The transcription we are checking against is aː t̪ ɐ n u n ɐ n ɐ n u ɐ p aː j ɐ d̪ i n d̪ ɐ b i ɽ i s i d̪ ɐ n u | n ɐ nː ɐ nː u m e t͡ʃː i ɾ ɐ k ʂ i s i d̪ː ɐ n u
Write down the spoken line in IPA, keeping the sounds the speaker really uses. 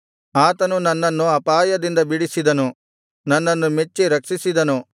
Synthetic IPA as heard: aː t̪ ɐ n u n ɐ nː ɐ nː u ɐ p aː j ɐ d̪ i n d̪ ɐ b i ɽ i s i d̪ ɐ n u | n ɐ nː ɐ nː u m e t͡ʃː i ɾ ɐ k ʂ i s i d̪ ɐ n u